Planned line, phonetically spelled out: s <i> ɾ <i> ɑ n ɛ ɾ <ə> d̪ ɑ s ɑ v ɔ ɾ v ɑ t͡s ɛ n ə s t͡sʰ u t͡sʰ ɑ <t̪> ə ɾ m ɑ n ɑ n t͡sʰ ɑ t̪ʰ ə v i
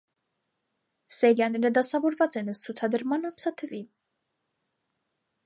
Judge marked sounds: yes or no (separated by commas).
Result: no, no, yes, no